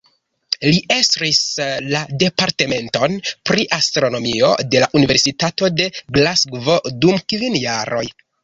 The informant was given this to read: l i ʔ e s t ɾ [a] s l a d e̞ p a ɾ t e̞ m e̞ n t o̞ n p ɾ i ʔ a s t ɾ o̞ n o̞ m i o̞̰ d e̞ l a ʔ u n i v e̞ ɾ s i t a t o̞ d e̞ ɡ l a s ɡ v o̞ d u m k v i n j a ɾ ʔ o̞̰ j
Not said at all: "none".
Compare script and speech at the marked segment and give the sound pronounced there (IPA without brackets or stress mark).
i